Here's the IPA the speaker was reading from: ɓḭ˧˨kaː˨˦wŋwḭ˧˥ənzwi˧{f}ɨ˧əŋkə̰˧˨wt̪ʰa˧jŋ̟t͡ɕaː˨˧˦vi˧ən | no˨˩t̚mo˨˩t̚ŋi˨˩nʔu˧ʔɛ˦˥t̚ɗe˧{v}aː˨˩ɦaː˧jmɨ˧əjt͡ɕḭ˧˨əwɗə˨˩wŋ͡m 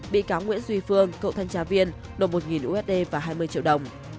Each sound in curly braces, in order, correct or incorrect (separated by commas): correct, correct